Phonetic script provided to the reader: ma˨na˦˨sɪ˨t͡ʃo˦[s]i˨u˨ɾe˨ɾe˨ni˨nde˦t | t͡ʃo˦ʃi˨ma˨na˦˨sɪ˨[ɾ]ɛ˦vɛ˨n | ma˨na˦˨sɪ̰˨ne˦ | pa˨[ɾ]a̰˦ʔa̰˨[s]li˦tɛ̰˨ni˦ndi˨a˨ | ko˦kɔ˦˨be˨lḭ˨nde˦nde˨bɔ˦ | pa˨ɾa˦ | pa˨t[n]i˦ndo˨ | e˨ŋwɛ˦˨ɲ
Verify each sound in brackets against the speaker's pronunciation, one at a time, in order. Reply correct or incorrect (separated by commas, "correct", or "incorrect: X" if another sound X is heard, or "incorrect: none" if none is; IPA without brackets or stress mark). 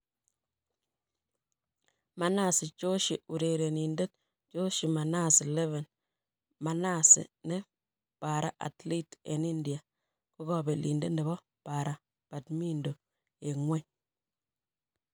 incorrect: ʃ, incorrect: l, correct, incorrect: t, incorrect: m